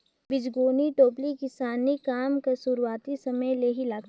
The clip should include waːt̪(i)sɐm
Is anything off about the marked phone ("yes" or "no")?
no